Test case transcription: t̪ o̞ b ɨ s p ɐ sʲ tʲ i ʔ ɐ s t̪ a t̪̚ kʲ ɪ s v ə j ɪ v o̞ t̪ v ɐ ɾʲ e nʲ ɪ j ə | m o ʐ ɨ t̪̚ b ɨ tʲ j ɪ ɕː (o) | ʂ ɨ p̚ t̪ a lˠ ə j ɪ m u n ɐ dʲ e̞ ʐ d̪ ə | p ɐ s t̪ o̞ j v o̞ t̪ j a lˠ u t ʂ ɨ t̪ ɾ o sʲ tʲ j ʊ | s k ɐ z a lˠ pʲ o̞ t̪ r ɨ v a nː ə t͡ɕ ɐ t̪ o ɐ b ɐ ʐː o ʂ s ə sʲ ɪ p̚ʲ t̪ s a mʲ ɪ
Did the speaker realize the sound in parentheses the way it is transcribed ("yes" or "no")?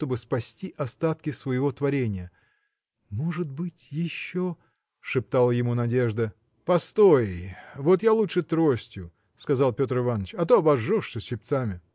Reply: yes